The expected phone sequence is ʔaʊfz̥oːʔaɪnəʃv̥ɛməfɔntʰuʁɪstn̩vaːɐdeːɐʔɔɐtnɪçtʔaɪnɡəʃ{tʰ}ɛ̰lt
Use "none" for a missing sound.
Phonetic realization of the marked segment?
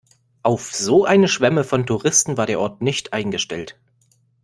t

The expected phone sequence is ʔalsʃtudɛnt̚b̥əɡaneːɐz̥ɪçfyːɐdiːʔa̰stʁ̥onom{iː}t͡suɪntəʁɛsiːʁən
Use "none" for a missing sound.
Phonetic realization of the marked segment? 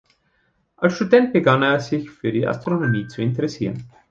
iː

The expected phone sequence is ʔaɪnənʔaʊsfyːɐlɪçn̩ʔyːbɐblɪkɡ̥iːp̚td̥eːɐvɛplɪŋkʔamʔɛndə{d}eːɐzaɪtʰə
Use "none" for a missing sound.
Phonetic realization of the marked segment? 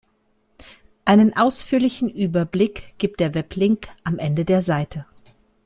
d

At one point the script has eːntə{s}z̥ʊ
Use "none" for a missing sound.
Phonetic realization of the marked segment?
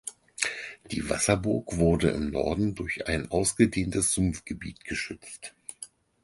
s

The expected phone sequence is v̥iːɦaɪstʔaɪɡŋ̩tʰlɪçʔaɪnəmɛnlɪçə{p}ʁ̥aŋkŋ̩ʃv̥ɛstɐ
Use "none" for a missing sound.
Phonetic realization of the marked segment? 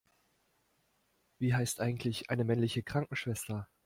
k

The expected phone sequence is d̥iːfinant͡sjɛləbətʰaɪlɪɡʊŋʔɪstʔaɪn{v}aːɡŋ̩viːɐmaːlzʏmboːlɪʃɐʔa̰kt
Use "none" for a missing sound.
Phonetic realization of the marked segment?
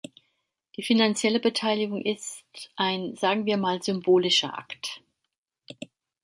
z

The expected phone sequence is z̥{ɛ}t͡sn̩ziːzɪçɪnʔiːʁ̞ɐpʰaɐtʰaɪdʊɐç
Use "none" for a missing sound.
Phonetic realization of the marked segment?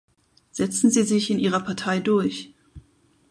ɛ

